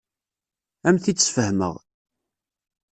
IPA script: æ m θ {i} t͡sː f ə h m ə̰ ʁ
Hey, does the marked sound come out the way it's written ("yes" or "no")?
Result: yes